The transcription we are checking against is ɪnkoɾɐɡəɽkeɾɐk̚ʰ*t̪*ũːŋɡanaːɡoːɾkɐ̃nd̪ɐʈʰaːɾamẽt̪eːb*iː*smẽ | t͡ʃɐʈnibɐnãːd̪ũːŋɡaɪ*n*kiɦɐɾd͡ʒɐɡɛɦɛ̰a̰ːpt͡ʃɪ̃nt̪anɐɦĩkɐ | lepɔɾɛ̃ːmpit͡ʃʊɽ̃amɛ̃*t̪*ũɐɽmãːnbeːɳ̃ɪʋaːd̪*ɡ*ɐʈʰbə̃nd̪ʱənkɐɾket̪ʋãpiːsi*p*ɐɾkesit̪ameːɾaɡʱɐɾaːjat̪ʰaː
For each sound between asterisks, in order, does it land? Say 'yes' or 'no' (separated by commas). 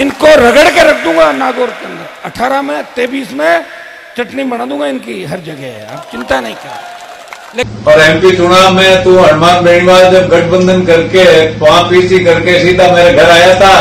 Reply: no, yes, yes, yes, yes, no